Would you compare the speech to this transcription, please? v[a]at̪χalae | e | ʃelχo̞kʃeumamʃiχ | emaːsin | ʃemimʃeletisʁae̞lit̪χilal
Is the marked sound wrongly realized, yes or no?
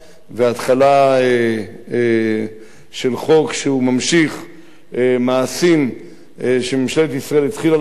yes